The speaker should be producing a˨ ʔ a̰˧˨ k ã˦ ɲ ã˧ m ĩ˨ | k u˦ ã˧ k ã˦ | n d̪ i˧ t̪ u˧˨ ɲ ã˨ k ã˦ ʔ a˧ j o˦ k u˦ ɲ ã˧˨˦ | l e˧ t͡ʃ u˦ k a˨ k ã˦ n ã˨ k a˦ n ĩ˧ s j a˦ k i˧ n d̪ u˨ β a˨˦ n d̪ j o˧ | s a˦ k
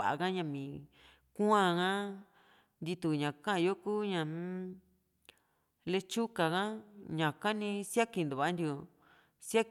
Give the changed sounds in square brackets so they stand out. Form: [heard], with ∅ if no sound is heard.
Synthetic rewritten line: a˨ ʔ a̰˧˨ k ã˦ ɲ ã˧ m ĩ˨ | k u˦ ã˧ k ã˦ | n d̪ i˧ t̪ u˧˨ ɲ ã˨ k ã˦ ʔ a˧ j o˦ k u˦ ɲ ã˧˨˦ | l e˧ t͡ʃ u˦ k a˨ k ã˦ [ɲ] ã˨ k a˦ n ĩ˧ s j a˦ k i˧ n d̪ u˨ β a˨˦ n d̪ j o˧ | s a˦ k